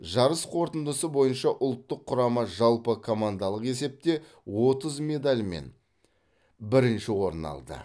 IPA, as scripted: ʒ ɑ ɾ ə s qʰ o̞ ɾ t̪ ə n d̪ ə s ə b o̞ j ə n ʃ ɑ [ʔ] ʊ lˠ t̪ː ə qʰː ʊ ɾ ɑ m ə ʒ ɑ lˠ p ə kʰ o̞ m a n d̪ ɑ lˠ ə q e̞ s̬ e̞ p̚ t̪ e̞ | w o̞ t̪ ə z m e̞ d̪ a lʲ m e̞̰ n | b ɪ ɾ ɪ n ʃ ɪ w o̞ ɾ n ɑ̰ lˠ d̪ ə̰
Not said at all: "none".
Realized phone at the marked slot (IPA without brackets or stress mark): ʔ